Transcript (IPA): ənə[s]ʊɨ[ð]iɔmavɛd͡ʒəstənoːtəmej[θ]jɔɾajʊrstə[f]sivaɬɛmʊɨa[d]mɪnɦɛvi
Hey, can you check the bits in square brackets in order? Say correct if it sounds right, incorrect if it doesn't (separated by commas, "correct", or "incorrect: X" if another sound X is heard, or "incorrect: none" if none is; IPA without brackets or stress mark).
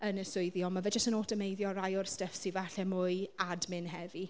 correct, correct, incorrect: ð, correct, correct